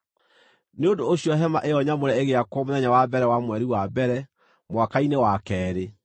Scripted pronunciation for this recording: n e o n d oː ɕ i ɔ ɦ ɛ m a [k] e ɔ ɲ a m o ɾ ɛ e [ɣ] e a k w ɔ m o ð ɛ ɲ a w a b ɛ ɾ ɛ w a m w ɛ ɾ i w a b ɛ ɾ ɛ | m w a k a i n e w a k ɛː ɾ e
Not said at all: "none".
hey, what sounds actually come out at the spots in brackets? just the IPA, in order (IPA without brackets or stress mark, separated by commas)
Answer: ʔ, ɣ